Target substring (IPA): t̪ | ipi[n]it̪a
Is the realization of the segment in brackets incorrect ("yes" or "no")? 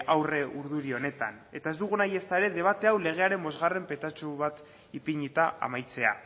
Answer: yes